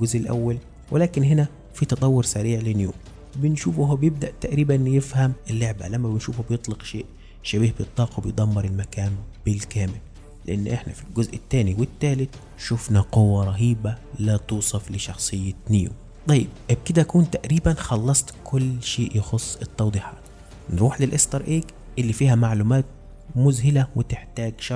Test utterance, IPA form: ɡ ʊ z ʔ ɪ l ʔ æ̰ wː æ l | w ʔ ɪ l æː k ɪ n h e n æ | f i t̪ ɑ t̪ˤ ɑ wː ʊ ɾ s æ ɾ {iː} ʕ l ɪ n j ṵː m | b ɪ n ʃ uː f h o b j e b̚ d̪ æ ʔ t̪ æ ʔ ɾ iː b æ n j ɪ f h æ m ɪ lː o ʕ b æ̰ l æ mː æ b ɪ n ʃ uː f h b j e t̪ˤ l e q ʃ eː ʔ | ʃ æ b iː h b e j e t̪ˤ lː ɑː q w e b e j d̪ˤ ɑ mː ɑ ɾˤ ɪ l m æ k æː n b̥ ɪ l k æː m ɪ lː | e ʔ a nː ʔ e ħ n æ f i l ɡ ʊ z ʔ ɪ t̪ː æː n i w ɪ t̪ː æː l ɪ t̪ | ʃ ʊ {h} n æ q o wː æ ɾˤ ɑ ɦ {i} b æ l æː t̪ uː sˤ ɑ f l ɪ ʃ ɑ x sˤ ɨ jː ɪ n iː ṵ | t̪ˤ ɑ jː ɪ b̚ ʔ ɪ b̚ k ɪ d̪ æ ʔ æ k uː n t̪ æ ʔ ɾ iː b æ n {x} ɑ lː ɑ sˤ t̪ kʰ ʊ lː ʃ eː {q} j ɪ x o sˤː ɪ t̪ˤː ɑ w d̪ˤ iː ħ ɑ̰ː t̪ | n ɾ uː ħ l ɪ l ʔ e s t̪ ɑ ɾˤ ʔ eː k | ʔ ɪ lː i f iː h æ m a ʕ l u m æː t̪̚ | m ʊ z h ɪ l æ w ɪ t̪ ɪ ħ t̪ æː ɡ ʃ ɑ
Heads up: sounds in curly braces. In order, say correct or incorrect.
correct, incorrect: f, incorrect: iː, correct, incorrect: ʔ

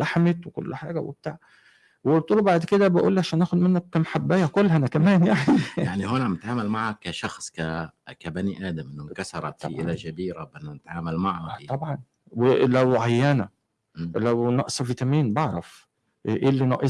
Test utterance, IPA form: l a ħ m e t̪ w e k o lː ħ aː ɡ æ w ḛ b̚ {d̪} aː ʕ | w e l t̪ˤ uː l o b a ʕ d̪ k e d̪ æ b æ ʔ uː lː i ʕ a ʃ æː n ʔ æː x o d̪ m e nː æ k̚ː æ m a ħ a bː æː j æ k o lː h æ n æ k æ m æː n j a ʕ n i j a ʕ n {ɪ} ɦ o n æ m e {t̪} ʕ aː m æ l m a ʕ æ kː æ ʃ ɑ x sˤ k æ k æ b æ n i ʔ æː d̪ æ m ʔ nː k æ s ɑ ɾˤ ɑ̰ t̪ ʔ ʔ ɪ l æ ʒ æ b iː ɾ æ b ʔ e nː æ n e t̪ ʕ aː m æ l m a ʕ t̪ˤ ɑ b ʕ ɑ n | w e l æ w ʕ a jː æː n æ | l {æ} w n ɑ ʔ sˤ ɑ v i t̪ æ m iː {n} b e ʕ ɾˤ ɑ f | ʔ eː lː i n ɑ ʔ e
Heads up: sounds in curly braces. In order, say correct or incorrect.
incorrect: t̪, incorrect: i, correct, correct, correct

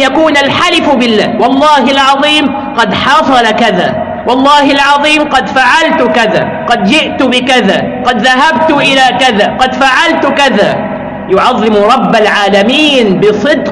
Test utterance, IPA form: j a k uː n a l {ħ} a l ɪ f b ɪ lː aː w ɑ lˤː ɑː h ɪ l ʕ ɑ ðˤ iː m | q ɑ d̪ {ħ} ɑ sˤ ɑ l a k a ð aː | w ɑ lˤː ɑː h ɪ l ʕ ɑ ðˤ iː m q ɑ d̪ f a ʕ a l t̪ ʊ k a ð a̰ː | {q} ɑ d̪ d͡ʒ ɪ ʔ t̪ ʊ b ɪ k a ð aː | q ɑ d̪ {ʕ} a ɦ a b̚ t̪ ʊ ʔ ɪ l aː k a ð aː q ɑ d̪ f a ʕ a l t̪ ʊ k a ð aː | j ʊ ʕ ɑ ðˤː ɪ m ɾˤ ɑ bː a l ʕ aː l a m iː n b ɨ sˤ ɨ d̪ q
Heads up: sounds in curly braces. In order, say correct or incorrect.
correct, correct, correct, incorrect: ð

